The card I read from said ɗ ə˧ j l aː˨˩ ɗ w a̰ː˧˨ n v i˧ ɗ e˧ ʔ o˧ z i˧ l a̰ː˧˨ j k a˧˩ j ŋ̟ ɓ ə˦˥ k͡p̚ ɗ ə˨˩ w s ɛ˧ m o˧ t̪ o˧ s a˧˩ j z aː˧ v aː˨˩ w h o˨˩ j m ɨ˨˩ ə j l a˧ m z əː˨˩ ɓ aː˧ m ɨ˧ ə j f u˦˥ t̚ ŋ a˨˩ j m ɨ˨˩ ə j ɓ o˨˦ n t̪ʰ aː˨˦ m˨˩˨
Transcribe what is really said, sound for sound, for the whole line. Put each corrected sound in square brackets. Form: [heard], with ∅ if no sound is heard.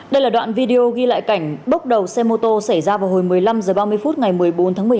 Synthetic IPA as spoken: ɗ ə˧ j l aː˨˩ ɗ w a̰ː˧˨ n v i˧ ɗ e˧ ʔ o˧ [ɣ] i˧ l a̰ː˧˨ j k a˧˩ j ŋ̟ ɓ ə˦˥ k͡p̚ ɗ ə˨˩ w s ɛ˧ m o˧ t̪ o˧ s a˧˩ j z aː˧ v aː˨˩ w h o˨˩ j m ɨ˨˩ ə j l a˧ m z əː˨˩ ɓ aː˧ m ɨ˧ ə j f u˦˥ t̚ ŋ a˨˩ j m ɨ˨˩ ə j ɓ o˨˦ n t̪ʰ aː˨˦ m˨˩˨